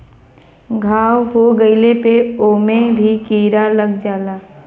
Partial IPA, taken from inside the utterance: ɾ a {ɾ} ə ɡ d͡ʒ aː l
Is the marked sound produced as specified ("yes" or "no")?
no